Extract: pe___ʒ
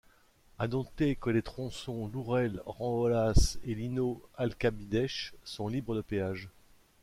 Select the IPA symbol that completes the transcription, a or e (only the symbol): a